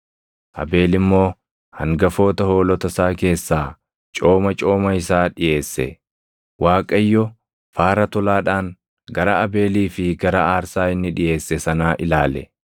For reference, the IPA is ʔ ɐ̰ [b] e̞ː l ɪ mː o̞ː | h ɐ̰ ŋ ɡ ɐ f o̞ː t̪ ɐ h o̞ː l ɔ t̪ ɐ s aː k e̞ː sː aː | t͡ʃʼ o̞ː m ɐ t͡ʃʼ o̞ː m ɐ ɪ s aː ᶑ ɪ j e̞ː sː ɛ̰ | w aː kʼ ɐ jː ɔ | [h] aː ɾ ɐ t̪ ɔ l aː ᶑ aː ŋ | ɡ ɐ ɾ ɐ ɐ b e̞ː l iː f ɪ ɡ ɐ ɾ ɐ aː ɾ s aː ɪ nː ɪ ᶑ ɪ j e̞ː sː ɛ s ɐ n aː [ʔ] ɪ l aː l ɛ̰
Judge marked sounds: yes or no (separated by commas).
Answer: yes, no, yes